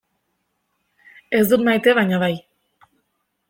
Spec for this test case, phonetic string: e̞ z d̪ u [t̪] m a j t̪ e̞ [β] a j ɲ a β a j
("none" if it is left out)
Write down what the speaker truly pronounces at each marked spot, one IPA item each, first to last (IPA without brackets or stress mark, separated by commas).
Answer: t̪, β